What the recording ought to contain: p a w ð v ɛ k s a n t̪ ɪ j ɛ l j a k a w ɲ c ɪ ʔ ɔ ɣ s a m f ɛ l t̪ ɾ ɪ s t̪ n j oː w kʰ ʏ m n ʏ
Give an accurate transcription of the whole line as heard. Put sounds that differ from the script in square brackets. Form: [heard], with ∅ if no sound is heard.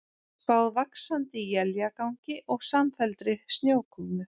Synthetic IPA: p a w ð v [a] k s a n t̪ ɪ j ɛ l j a k a w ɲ c ɪ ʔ ɔ ɣ s a m f ɛ l t̪ ɾ ɪ s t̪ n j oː w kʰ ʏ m n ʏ